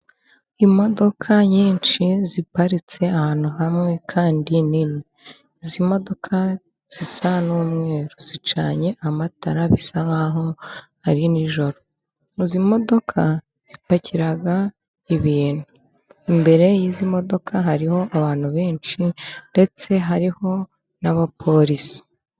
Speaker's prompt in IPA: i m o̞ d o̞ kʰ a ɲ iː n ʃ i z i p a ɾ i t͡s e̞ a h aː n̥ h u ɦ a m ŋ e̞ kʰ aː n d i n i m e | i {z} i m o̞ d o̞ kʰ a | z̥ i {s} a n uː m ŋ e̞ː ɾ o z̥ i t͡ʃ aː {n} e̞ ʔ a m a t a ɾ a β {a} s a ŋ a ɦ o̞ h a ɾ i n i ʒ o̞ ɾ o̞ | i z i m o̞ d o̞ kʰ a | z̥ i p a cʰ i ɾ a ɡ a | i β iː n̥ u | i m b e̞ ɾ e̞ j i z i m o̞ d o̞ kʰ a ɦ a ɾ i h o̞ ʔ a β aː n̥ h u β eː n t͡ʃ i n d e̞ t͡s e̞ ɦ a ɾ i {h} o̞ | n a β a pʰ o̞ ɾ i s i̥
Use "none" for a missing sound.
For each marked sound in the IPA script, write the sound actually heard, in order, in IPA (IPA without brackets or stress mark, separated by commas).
z, s, ɲ, i, h